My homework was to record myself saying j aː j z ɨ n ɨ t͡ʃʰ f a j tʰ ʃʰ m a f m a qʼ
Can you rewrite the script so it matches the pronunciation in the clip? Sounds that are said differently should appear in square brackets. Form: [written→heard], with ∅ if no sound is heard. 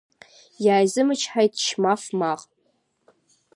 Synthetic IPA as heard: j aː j z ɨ [n→m] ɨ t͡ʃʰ [f→ħ] a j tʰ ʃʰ m a f m a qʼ